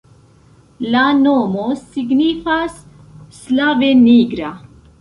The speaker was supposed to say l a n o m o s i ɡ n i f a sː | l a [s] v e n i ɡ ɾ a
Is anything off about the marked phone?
yes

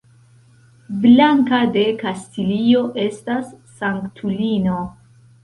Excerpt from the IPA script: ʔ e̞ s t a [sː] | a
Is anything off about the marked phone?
no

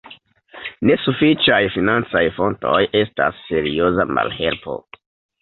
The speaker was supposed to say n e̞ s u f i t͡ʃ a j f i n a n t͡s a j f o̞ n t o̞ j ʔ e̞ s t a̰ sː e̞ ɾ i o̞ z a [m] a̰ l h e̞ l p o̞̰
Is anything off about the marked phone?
no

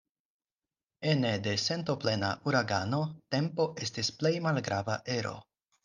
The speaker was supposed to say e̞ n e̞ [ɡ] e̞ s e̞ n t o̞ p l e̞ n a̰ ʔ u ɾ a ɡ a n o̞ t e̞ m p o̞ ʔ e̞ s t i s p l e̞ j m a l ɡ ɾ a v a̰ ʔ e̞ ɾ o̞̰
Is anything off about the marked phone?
yes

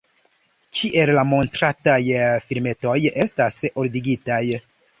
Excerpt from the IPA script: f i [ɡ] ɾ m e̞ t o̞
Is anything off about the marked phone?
yes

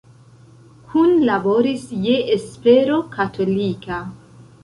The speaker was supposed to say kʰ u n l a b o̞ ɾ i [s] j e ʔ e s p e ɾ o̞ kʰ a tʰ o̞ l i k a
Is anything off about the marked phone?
no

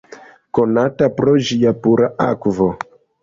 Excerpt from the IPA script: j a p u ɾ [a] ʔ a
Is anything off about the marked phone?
no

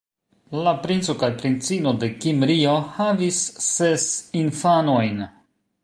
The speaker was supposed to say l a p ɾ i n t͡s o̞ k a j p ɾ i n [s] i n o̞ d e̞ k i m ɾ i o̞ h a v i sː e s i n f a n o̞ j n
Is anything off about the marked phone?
yes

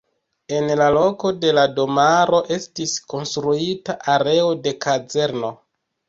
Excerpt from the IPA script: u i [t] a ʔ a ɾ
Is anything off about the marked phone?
no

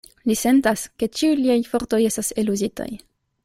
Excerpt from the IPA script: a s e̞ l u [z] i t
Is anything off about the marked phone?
no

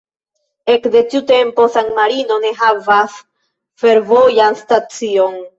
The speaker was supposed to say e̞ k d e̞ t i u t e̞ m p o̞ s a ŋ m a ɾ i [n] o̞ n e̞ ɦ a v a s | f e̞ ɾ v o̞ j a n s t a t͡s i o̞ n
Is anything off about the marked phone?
no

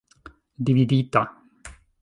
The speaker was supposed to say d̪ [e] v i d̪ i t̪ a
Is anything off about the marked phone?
yes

